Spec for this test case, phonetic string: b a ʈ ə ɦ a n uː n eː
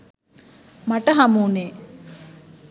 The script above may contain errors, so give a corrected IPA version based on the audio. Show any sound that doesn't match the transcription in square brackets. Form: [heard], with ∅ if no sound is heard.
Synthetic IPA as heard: [m] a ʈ ə ɦ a [m] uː n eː